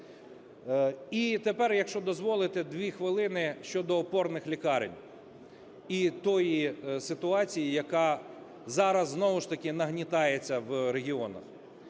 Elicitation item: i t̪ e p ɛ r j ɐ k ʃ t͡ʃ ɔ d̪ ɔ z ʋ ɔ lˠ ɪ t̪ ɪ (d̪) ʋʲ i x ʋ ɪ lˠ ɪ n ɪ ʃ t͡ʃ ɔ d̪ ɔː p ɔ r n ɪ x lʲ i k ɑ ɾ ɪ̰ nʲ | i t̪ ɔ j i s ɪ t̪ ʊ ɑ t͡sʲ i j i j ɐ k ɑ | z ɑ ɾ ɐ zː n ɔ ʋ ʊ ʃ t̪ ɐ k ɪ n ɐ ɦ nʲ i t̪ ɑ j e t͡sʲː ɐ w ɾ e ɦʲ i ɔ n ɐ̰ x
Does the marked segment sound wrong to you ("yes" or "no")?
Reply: no